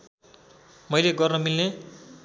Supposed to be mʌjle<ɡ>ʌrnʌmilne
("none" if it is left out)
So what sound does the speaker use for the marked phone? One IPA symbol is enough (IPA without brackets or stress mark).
ɡ